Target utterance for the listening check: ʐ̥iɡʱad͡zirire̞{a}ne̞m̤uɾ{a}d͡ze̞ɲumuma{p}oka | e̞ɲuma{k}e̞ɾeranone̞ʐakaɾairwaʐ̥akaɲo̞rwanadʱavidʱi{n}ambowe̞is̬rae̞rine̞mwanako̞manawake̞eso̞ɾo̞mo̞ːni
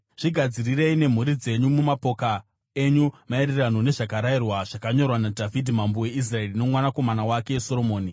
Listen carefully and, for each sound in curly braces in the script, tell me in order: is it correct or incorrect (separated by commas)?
incorrect, incorrect, correct, incorrect, incorrect